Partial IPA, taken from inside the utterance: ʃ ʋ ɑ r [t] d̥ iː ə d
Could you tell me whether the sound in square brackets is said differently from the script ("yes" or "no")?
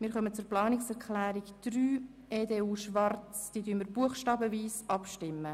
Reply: yes